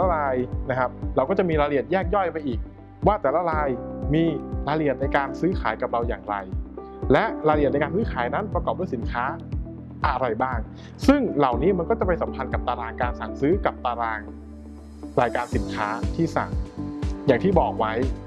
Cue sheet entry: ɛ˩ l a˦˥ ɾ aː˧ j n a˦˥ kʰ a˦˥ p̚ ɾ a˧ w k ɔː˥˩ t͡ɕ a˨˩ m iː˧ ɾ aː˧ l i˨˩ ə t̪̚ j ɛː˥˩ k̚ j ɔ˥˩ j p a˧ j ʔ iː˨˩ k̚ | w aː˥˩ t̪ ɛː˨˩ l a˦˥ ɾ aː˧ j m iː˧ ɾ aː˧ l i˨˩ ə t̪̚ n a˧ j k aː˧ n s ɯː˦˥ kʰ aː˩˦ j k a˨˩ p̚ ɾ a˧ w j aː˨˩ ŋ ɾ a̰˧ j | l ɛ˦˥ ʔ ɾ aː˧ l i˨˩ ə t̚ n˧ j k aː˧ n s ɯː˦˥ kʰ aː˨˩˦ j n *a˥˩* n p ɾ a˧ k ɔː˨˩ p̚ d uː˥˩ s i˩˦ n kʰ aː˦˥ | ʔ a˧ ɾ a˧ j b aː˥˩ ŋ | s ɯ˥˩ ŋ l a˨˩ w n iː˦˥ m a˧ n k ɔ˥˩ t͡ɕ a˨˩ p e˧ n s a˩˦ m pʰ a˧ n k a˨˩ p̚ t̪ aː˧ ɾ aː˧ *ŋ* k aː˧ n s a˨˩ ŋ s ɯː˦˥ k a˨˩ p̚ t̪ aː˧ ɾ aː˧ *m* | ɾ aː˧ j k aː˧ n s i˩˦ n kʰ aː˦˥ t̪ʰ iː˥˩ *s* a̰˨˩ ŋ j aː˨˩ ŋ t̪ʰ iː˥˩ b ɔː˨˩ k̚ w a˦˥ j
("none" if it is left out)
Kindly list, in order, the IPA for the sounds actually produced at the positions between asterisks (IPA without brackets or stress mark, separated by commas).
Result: a˦˥, ŋ, ŋ, s